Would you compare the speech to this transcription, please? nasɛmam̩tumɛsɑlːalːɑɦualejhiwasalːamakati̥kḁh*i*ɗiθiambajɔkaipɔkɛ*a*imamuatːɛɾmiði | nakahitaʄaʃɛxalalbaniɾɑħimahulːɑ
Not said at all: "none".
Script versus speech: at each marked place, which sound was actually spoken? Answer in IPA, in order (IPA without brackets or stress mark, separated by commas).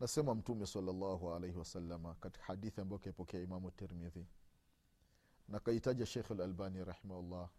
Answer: a, a